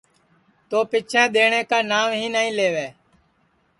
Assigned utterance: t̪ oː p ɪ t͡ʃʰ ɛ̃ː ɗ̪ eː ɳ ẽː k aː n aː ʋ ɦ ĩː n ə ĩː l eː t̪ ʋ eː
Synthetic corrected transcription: t̪ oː p ɪ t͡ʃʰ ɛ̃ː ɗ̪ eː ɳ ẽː k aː n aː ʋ ɦ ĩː n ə ĩː l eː ʋ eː